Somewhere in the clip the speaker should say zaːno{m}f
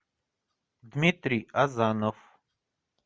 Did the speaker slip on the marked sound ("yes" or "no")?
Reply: yes